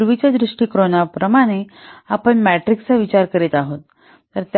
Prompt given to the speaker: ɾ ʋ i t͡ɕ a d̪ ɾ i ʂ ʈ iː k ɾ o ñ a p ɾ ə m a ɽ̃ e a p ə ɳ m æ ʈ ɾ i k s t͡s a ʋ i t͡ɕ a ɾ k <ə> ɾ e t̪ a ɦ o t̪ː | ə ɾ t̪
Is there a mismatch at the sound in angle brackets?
no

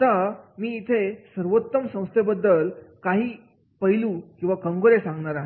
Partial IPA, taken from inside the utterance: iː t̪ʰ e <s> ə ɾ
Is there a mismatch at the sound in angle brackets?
no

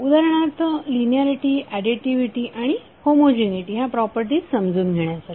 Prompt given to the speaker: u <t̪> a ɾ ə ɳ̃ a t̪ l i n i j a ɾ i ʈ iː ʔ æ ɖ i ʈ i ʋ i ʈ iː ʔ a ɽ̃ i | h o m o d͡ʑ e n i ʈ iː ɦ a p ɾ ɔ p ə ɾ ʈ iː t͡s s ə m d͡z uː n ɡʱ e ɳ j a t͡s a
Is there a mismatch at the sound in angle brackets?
yes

